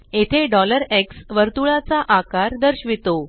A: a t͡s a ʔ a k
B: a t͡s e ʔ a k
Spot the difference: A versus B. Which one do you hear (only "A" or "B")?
A